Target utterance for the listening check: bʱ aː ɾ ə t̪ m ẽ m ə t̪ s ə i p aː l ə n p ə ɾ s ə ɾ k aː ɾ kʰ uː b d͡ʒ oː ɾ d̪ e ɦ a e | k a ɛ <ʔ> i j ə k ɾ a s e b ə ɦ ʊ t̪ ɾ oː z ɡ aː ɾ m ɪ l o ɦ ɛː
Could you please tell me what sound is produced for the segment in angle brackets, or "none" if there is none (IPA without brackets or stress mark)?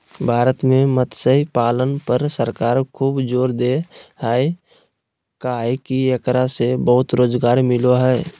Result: k